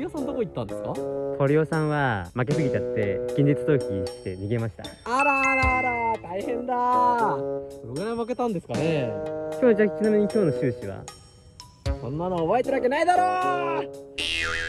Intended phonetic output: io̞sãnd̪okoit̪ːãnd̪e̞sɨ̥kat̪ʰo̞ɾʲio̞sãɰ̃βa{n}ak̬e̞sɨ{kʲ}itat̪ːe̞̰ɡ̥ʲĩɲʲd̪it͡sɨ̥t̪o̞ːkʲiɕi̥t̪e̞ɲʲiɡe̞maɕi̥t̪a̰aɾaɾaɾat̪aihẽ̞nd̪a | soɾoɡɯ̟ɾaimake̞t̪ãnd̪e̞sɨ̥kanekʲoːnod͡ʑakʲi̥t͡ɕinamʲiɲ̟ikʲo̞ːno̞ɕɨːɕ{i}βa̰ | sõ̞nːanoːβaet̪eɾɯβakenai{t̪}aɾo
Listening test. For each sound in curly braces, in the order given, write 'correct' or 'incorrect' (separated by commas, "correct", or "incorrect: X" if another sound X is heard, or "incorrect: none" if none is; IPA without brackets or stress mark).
incorrect: m, incorrect: ɡʲ, correct, incorrect: d̪